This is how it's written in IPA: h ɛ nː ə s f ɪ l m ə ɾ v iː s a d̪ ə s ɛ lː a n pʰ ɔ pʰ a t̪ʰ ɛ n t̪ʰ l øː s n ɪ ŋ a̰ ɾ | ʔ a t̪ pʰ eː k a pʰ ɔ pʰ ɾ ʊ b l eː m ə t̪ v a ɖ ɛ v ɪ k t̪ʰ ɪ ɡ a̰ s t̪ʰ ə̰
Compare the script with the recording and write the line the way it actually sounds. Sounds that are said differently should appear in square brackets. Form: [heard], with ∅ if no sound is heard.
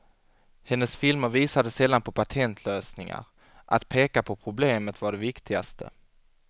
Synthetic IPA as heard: h ɛ nː ə s f ɪ l m ə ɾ v iː s a d̪ ə s ɛ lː a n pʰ ɔ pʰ a t̪ʰ ɛ n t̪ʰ l øː s n ɪ ŋ a̰ ɾ | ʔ a t̪ pʰ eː k a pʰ ɔ pʰ ɾ ʊ b l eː m ə t̪ v a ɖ ɛ v ɪ k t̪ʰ ɪ ɡ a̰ s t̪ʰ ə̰